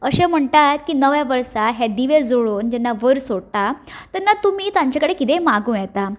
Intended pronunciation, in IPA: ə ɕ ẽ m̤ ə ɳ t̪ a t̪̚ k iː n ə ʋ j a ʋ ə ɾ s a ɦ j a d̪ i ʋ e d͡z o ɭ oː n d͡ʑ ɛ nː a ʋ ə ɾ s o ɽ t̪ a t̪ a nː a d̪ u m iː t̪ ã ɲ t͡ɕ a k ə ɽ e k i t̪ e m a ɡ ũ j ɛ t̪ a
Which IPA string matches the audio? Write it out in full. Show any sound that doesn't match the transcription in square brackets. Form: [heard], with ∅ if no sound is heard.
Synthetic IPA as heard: ə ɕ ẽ m̤ ə ɳ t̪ a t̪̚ k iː n ə ʋ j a ʋ ə ɾ s a ɦ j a d̪ i ʋ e d͡z o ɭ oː n d͡ʑ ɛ nː a ʋ ə ɾ s o ɽ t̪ a t̪ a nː a [t̪] u m iː t̪ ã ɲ t͡ɕ a k ə ɽ e k i t̪ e m a ɡ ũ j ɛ t̪ a